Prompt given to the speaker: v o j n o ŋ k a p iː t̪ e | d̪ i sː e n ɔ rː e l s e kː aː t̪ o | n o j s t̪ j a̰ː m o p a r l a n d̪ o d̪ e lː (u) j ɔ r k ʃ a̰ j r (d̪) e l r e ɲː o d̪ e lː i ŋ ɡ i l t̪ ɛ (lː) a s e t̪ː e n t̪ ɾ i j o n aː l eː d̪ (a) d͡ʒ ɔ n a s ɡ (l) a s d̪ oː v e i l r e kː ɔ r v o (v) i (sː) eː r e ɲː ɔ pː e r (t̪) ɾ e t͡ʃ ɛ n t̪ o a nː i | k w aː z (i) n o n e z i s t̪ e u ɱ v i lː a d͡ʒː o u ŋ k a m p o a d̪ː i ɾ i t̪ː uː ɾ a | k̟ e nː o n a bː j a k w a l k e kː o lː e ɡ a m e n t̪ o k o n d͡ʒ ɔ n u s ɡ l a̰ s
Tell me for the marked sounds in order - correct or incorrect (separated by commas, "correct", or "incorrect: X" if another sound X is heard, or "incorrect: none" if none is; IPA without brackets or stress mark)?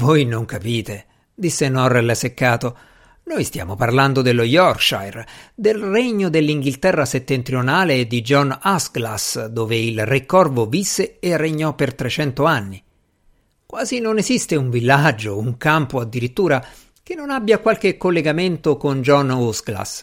incorrect: o, correct, incorrect: rː, incorrect: i, correct, correct, correct, correct, correct